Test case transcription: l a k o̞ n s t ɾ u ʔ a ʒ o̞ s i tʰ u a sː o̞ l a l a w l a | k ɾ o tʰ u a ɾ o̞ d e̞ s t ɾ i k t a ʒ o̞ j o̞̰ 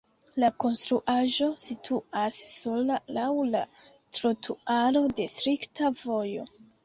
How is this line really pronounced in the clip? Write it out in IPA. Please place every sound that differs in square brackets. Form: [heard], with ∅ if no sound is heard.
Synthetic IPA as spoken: l a k o̞ n s t ɾ u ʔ a ʒ o̞ s i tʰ u a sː o̞ l a l a w l a | [t] ɾ o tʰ u a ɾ o̞ d e̞ s t ɾ i k t a [v] o̞ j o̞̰